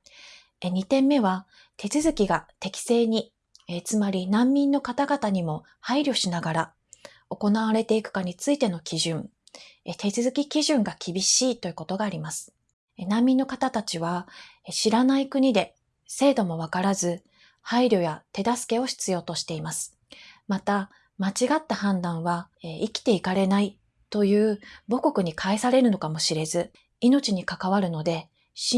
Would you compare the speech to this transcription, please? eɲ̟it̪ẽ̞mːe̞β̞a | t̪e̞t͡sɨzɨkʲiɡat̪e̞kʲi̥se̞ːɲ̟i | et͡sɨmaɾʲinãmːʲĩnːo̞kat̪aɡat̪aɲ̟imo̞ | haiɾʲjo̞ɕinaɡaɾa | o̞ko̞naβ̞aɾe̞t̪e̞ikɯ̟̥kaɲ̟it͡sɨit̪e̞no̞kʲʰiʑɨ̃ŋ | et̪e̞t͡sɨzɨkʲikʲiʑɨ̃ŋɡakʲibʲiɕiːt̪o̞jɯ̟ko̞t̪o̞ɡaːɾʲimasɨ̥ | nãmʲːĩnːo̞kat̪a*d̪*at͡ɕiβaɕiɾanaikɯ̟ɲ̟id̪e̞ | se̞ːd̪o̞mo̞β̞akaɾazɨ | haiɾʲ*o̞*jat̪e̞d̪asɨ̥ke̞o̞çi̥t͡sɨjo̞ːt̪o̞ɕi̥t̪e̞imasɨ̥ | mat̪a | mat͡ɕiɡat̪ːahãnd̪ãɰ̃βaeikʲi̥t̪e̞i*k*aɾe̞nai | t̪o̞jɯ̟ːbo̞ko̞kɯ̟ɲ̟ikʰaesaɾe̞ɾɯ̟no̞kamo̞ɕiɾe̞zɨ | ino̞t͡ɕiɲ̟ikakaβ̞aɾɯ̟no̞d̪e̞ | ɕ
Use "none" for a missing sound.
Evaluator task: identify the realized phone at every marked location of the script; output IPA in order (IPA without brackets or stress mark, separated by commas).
t̪, o̞, k